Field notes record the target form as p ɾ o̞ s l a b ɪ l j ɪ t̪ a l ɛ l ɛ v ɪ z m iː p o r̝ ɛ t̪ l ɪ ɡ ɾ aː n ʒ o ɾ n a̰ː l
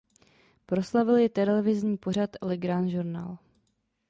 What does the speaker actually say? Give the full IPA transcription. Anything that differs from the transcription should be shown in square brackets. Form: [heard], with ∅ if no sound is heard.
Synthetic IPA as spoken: p ɾ o̞ s l a [v] ɪ l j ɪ t̪ [ɛ] l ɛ l ɛ v ɪ z [ɲ] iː p o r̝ [a] t̪ l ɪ ɡ ɾ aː n ʒ [u] ɾ n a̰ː l